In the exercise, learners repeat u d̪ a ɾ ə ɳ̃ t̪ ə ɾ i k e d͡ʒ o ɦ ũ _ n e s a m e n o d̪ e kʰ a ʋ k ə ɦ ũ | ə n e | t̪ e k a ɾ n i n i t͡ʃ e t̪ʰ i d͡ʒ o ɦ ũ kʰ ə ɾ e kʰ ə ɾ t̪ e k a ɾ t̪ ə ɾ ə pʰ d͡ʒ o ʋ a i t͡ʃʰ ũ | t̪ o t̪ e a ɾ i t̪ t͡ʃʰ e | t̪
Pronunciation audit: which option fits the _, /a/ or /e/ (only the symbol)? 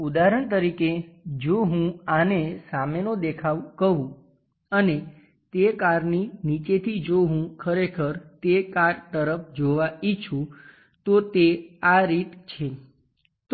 a